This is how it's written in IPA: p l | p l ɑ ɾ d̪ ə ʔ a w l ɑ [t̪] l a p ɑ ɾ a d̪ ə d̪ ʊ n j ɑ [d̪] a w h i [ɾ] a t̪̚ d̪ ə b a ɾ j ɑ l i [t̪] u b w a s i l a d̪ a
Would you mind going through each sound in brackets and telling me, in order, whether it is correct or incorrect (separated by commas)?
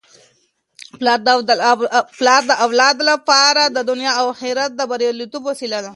incorrect, incorrect, correct, correct